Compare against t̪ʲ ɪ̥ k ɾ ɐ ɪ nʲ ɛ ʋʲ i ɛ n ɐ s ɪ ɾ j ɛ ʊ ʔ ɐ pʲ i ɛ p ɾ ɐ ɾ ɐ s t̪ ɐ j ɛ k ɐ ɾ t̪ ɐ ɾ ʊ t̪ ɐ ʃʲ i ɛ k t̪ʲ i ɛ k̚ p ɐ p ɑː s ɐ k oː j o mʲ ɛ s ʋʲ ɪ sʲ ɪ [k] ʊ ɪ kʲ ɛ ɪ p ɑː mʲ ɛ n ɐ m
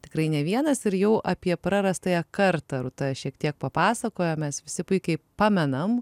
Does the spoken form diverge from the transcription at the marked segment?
yes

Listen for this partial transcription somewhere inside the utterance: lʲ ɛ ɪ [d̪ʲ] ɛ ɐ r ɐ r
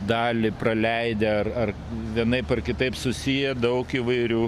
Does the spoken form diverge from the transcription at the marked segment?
no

